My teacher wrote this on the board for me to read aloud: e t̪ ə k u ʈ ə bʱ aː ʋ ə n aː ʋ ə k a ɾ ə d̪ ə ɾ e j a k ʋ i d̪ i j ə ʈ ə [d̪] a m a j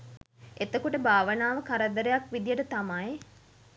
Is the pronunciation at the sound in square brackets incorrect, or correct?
incorrect